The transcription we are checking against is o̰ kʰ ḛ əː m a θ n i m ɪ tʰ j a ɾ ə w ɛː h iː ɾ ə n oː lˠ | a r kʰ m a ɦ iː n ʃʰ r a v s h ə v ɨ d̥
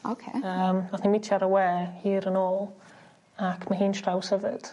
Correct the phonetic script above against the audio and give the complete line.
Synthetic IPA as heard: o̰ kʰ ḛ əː m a θ n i m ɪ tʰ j a ɾ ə w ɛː h iː ɾ ə n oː lˠ | a kʰ m a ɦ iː n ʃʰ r a w s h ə v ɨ d̥